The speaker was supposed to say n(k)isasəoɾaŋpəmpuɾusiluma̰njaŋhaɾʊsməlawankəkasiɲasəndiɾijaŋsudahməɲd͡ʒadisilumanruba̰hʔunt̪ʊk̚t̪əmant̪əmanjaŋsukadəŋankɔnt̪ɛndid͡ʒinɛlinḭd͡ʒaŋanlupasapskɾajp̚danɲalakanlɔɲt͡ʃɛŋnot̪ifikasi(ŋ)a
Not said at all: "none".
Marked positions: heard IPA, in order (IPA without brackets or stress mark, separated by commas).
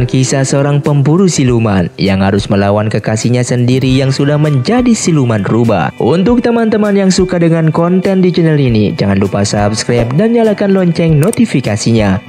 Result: k, ɲ